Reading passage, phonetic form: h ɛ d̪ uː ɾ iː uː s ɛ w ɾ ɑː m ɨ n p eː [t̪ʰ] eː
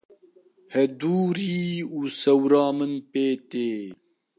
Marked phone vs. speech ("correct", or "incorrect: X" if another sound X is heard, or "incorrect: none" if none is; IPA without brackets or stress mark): incorrect: t̪